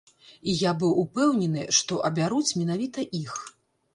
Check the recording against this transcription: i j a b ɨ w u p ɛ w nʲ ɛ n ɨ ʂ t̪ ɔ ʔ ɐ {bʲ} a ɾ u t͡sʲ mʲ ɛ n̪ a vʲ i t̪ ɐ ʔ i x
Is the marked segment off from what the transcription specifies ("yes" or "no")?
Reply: no